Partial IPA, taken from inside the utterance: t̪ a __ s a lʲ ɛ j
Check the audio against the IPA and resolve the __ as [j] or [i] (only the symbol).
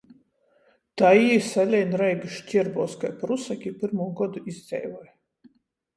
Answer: i